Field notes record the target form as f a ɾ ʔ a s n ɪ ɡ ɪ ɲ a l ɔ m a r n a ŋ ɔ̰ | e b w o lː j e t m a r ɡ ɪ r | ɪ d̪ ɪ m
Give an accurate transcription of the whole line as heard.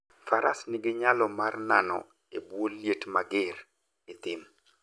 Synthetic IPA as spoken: f a ɾ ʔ a s n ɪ ɡ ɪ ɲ a l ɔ m a r n a n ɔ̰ | e b w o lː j e t m a ɡ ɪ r | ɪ t̪ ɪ m

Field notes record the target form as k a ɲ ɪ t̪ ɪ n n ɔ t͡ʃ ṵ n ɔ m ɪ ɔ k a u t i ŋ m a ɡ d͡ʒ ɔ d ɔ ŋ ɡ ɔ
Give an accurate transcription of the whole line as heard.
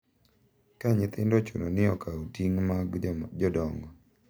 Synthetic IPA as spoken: k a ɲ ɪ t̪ ɪ n d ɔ t͡ʃ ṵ n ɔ n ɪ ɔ k a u t i ŋ m a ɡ d͡ʒ ɔ d ɔ ŋ ɡ ɔ

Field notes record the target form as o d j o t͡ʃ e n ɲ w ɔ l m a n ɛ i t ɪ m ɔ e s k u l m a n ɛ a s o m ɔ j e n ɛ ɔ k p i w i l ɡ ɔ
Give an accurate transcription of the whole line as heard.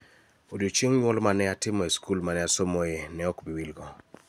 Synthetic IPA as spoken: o d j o t͡ʃ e ŋ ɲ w ɔ l m a n ɛ a t ɪ m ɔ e s k u l m a n ɛ a s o m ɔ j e n ɛ ɔ k b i w i l ɡ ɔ

